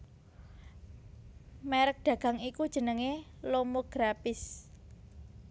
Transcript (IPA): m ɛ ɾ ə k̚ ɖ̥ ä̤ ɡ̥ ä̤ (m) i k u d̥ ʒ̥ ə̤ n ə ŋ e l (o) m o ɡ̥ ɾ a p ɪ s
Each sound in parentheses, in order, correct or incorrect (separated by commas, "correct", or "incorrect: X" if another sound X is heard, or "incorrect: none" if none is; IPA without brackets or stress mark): incorrect: ŋ, correct